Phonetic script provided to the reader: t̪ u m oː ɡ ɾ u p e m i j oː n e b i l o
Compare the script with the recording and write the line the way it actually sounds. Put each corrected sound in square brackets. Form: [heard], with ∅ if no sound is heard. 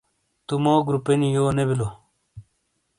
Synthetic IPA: t̪ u m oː ɡ ɾ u p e [n] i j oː n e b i l o